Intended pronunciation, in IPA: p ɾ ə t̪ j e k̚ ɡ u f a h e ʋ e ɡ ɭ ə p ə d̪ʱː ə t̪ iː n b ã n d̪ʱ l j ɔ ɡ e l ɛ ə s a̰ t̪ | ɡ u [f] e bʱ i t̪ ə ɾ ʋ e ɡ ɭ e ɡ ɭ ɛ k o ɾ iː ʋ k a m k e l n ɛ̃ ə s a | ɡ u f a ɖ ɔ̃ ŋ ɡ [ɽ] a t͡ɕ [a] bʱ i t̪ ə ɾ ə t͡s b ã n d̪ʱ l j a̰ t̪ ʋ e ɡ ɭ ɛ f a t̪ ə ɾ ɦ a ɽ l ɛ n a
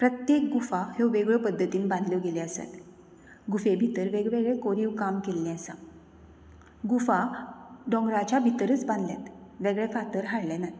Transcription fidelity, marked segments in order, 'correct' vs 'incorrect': correct, incorrect, correct

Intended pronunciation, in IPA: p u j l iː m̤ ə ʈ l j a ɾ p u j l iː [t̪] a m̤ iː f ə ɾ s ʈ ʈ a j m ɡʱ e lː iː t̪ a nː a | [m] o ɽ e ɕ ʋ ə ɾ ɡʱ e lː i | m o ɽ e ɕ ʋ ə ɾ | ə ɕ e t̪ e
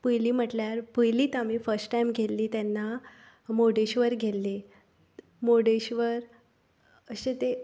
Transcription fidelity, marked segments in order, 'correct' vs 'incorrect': correct, correct

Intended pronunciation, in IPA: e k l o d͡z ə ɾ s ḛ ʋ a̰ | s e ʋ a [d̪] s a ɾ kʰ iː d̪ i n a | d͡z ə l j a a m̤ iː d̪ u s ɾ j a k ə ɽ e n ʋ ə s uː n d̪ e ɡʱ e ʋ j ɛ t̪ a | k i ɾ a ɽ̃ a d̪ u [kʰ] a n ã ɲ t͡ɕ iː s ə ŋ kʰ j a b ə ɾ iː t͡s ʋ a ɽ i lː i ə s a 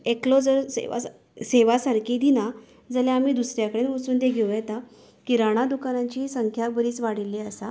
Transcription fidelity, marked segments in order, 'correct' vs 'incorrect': incorrect, incorrect

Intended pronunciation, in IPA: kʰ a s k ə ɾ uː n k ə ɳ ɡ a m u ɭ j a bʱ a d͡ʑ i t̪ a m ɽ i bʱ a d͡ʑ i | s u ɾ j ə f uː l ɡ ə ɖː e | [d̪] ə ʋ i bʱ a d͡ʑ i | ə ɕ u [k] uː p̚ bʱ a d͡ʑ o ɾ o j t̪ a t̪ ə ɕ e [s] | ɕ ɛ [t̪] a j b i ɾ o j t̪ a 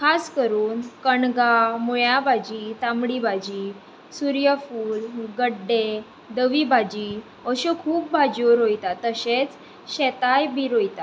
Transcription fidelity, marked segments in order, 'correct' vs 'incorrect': correct, incorrect, incorrect, correct

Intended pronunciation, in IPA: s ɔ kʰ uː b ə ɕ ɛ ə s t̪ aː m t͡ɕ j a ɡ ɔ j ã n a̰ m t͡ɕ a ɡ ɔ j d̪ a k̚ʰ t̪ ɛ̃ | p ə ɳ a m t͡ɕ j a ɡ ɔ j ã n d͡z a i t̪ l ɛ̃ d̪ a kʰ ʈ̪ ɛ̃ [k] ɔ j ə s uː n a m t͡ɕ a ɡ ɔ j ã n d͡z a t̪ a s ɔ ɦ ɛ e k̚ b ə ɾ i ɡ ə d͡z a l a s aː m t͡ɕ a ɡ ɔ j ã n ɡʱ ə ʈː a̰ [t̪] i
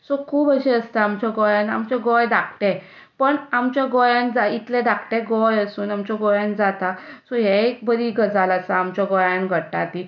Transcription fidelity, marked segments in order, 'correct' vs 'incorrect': incorrect, correct

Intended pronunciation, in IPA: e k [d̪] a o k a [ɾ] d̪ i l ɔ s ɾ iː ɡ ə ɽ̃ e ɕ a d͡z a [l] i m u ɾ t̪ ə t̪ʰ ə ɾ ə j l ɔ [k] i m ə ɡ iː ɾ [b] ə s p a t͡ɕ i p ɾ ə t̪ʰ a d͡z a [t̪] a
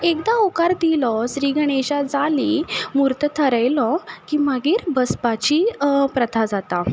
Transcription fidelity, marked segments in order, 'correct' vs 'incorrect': correct, correct, correct, correct, correct, correct

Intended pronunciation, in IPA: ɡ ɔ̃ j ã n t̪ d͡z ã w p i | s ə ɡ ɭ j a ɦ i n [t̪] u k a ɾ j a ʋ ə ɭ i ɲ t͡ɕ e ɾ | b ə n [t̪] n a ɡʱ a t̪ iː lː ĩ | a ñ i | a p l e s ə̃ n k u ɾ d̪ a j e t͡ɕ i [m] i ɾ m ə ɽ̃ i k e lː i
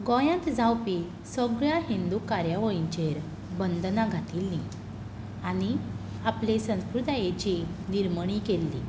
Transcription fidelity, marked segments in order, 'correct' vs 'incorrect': incorrect, incorrect, incorrect

